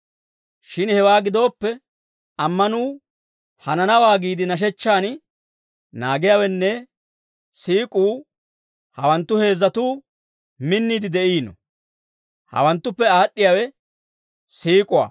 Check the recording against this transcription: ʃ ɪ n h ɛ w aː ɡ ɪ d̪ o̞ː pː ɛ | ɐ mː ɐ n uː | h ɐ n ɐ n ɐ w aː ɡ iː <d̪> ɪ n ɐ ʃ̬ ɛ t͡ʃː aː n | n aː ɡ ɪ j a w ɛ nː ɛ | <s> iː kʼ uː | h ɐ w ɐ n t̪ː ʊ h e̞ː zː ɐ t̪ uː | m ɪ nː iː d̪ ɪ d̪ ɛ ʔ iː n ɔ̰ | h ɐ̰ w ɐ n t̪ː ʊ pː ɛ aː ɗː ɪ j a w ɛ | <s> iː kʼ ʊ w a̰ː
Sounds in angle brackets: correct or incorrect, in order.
correct, correct, correct

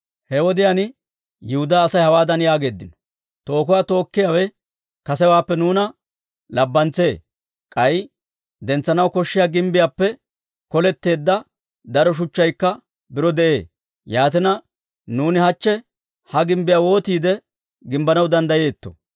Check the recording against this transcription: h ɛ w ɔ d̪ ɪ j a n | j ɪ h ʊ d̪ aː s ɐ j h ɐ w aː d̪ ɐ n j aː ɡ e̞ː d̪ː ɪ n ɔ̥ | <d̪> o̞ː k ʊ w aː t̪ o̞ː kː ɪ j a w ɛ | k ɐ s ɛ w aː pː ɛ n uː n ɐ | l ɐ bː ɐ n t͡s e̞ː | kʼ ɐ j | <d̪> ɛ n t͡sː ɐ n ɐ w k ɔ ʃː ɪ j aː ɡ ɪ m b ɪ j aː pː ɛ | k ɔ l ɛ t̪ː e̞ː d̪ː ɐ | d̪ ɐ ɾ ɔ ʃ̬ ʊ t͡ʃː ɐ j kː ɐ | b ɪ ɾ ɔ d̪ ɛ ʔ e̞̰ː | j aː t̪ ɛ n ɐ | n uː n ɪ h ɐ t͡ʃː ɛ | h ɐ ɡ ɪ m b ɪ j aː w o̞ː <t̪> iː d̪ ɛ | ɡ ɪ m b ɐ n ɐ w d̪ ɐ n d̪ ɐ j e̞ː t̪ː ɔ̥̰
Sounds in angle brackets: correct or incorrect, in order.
incorrect: t̪, correct, correct

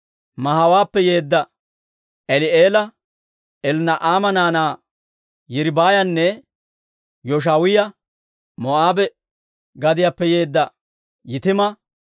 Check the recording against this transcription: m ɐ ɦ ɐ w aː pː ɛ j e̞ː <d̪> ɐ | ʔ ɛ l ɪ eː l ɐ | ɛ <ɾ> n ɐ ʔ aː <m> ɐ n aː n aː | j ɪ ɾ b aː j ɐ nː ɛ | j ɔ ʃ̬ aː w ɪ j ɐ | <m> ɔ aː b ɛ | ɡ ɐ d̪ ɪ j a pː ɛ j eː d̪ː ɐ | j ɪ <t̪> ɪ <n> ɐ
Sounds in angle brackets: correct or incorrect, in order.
incorrect: d̪ː, incorrect: l, correct, correct, correct, incorrect: m

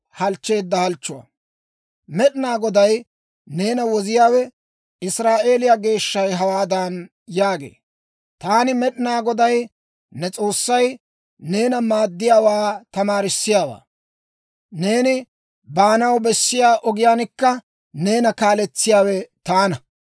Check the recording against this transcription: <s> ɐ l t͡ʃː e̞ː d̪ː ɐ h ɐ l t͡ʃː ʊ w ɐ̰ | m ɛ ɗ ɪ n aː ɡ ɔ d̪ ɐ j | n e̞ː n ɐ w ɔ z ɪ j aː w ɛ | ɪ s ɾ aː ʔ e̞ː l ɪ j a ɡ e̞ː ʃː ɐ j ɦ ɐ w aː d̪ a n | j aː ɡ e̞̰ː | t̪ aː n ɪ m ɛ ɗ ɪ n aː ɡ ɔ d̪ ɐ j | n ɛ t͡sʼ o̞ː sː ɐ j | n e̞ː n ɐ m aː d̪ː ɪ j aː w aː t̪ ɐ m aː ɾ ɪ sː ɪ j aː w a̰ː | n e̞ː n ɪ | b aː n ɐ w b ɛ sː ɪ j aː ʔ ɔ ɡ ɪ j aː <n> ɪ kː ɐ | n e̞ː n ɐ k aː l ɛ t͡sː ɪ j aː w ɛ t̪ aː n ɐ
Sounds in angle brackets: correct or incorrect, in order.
incorrect: h, correct

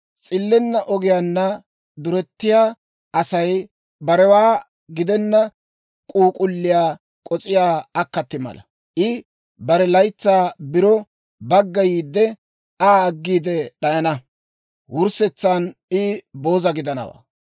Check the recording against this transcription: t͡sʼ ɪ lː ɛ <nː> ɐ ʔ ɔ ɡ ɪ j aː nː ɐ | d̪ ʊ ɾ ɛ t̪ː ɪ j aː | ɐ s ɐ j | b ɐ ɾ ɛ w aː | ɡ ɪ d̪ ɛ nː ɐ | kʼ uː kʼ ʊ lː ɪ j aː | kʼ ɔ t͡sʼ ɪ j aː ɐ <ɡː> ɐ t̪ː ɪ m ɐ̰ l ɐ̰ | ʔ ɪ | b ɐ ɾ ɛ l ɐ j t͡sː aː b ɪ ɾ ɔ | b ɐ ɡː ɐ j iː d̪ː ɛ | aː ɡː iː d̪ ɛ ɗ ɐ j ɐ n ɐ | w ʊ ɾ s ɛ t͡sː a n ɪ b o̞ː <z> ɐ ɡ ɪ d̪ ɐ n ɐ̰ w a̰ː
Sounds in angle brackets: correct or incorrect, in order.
correct, incorrect: kː, correct

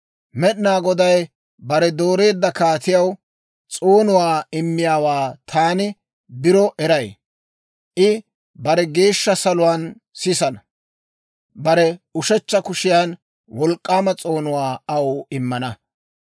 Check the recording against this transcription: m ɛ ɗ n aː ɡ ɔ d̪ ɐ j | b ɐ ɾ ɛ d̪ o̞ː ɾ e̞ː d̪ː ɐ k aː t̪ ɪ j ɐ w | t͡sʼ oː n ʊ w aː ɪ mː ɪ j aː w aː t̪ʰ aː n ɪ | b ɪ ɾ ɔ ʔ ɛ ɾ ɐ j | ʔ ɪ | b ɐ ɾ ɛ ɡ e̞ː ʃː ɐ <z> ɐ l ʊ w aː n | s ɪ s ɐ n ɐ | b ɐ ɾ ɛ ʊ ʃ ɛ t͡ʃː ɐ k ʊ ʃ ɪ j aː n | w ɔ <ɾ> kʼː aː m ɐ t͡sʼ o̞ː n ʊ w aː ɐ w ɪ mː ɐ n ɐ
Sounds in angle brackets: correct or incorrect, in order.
incorrect: s, incorrect: l

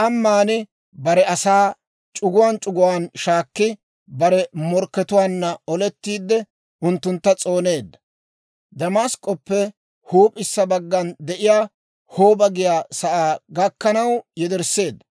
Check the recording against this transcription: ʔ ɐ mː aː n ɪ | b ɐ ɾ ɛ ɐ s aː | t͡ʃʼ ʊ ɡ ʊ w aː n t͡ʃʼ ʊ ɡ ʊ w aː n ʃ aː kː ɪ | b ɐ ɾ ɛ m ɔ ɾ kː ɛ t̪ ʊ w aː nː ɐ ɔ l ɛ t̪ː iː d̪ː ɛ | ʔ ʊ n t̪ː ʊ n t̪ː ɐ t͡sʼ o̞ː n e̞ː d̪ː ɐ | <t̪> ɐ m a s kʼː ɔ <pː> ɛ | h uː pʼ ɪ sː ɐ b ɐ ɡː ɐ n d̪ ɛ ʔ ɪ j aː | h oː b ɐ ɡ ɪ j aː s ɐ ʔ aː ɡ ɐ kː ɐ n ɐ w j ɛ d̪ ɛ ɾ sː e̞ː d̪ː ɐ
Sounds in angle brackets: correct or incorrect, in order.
incorrect: d̪, correct

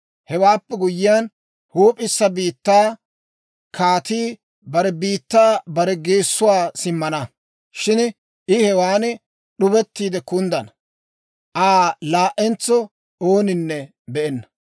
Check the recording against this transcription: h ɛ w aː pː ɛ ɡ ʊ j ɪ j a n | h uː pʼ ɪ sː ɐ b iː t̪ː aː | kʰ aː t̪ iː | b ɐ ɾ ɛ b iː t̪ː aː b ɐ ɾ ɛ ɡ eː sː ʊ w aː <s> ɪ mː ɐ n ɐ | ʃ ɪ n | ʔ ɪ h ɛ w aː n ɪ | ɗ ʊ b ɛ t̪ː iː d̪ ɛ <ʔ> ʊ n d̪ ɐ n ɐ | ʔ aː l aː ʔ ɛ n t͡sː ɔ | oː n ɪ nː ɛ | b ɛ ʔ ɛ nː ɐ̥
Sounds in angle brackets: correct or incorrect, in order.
correct, incorrect: k

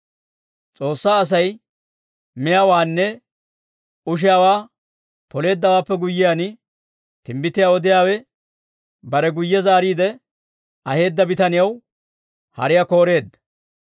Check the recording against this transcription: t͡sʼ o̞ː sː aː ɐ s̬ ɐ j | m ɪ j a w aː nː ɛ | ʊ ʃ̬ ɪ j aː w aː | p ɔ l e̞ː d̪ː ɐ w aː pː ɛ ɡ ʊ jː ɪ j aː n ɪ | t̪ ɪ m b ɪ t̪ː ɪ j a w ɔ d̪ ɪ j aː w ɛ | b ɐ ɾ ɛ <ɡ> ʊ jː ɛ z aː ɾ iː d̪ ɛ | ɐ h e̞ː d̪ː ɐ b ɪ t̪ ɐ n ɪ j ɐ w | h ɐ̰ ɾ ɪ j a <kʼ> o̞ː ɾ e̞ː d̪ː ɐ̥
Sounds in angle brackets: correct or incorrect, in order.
correct, incorrect: k

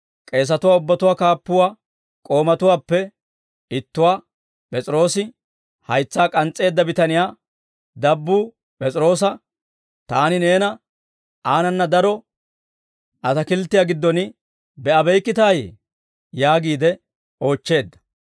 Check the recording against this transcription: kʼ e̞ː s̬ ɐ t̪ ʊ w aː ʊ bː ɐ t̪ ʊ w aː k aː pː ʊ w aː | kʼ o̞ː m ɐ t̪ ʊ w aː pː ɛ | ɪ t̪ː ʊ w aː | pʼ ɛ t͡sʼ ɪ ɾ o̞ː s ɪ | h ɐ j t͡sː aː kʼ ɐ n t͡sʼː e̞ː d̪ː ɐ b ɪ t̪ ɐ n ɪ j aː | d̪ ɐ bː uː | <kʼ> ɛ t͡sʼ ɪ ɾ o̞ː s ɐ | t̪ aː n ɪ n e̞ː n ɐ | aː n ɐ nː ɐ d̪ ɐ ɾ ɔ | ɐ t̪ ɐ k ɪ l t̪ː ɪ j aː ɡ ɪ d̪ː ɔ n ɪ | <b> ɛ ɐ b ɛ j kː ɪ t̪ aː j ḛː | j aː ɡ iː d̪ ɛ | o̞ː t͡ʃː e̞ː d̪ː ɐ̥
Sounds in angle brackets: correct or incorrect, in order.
incorrect: pʼ, correct

